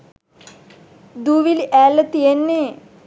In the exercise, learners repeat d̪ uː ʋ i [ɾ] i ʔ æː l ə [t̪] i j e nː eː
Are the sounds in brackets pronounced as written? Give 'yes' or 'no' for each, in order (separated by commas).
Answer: no, yes